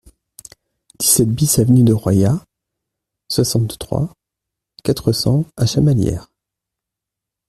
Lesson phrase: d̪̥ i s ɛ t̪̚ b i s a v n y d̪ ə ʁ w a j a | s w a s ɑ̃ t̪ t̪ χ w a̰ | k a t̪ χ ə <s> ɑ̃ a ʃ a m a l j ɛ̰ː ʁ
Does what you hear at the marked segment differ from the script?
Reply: no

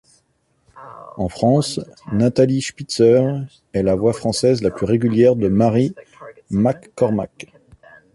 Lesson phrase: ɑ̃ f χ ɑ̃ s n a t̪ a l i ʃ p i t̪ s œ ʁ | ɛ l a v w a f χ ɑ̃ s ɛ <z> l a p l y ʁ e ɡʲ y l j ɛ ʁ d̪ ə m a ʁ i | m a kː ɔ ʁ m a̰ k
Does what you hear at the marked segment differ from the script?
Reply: no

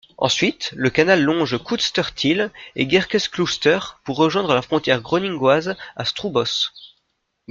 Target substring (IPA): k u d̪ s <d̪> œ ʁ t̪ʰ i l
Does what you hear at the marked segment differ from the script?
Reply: yes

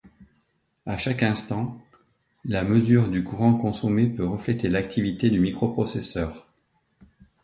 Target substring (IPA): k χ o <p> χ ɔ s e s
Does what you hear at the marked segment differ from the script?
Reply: no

